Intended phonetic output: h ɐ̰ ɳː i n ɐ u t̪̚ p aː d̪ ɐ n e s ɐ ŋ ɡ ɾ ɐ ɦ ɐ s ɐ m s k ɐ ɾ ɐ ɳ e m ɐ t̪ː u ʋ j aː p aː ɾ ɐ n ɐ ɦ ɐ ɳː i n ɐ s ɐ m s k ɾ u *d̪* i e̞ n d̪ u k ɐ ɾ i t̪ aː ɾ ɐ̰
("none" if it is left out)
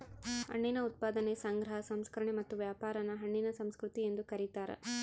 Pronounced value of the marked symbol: t̪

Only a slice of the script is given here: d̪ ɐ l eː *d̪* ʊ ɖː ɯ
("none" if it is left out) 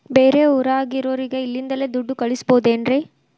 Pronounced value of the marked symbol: d̪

